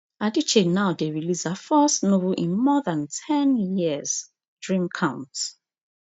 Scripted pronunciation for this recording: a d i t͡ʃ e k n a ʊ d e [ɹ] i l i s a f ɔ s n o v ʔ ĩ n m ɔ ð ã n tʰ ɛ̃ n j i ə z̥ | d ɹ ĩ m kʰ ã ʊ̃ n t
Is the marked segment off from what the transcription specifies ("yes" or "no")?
no